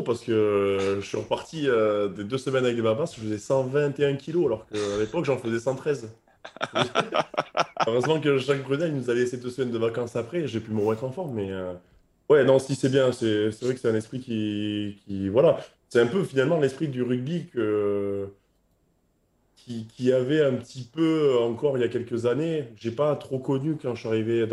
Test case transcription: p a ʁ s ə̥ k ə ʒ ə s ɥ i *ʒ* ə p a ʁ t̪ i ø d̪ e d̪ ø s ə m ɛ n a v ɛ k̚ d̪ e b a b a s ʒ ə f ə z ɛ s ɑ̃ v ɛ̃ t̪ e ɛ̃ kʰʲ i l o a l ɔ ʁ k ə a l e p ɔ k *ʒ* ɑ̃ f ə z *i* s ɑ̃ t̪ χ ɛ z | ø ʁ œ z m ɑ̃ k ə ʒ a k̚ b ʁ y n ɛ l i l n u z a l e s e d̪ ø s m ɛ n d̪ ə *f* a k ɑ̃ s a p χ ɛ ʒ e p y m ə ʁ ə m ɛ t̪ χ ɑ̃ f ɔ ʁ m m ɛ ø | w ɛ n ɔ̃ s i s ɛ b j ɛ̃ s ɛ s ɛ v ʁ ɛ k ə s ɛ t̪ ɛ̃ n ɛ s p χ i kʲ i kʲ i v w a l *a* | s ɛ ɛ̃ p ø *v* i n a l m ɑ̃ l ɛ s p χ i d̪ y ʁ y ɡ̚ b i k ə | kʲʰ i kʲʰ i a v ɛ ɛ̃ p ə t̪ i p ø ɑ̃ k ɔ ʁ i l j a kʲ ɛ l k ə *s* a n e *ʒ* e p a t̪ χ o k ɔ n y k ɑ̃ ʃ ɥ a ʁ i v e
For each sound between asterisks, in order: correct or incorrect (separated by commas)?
incorrect, correct, incorrect, incorrect, correct, incorrect, incorrect, correct